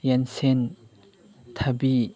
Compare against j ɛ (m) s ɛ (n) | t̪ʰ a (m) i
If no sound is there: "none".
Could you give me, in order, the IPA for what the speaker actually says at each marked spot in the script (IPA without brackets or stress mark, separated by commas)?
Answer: n, n, b